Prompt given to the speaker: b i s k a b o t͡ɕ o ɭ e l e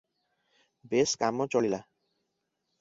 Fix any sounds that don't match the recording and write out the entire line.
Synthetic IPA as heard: b e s k a m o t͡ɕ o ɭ i l a